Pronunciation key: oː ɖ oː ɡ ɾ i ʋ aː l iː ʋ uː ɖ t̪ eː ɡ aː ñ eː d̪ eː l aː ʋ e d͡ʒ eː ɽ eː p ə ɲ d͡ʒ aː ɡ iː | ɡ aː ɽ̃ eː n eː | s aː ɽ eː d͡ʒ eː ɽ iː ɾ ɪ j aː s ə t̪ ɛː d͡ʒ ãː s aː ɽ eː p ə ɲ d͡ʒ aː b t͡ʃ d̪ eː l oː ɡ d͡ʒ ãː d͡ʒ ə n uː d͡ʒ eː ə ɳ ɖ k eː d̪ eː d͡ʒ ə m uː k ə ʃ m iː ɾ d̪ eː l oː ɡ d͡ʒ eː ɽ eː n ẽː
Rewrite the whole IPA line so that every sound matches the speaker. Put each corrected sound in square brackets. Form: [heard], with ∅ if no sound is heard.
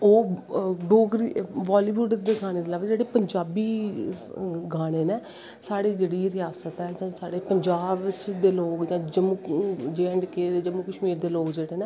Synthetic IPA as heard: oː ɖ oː ɡ ɾ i ʋ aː l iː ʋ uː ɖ [d̪] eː ɡ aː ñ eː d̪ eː l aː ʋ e d͡ʒ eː ɽ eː p ə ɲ d͡ʒ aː [b] iː | ɡ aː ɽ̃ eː n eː | s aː ɽ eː d͡ʒ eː ɽ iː ɾ ɪ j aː s ə t̪ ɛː d͡ʒ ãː s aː ɽ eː p ə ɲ d͡ʒ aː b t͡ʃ d̪ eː l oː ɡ d͡ʒ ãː d͡ʒ ə [m] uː d͡ʒ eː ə ɳ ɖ k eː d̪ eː d͡ʒ ə m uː k ə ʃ m iː ɾ d̪ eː l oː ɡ d͡ʒ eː ɽ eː n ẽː